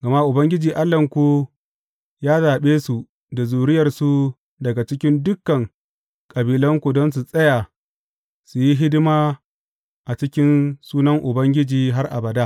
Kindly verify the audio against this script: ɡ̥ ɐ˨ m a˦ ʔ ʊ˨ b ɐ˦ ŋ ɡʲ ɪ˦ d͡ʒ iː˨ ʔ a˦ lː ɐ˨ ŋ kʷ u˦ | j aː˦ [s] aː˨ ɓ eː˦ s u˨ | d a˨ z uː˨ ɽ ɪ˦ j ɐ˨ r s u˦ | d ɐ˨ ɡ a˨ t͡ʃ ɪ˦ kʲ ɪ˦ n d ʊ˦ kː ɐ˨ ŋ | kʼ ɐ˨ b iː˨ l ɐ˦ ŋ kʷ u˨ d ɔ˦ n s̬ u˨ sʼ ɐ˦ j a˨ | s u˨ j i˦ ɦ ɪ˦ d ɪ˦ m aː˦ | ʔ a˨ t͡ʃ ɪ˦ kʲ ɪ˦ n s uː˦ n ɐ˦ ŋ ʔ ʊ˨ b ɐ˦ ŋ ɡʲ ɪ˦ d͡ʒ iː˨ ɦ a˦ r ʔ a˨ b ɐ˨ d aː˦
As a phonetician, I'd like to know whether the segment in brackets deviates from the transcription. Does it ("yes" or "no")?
yes